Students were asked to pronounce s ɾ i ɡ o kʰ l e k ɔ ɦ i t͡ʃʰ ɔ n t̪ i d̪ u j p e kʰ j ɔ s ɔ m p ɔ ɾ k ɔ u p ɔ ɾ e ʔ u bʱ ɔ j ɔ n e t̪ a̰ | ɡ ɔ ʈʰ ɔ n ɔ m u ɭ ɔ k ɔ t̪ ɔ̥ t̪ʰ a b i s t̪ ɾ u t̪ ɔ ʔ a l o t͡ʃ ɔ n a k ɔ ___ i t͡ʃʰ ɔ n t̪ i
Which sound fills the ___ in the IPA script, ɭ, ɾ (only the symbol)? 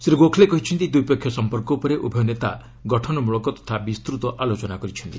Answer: ɾ